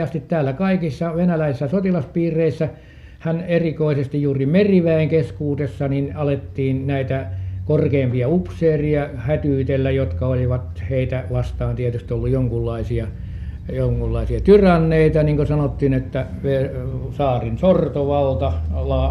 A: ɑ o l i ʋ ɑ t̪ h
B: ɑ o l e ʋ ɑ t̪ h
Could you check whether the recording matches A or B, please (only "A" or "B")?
A